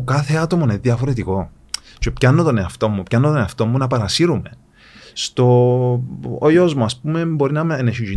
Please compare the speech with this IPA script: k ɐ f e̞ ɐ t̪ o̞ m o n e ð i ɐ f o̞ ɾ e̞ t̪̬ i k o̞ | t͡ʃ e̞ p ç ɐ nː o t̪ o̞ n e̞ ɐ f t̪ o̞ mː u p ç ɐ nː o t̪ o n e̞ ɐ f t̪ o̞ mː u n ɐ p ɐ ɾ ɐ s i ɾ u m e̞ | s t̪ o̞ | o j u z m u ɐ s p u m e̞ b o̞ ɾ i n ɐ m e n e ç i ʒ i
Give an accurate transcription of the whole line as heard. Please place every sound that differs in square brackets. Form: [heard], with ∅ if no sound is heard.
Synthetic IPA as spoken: k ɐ [θ] e̞ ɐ t̪ o̞ m o n e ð i ɐ f o̞ ɾ e̞ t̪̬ i k o̞ | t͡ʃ e̞ p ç ɐ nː o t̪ o̞ n e̞ ɐ f t̪ o̞ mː u p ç ɐ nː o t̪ o n e̞ ɐ f t̪ o̞ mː u n ɐ p ɐ ɾ ɐ s i ɾ u m e̞ | s t̪ o̞ | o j [o] z m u ɐ s p u m e̞ b o̞ ɾ i n ɐ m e n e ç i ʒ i